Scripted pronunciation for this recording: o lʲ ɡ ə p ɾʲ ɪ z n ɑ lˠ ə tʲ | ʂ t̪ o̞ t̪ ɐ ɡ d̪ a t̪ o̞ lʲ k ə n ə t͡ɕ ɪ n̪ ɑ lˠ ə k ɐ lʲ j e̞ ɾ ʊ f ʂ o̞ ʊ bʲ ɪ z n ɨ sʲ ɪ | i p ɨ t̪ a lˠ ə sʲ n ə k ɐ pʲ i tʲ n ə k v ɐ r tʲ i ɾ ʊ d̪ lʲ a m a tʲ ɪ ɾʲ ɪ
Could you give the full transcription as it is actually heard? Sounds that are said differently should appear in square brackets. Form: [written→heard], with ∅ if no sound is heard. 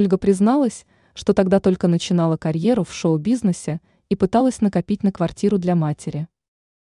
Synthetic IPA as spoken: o lʲ ɡ ə p ɾʲ ɪ z n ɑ lˠ ə [tʲ→sʲ] | ʂ t̪ o̞ t̪ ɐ ɡ d̪ a t̪ o̞ lʲ k ə n ə t͡ɕ ɪ n̪ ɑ lˠ ə k ɐ [lʲ→ɾʲ] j e̞ ɾ ʊ f ʂ o̞ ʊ bʲ [ɪ→i] z n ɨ sʲ ɪ | i p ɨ t̪ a lˠ ə sʲ n ə k ɐ pʲ i tʲ n ə k v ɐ r tʲ i ɾ ʊ d̪ lʲ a m a tʲ ɪ ɾʲ ɪ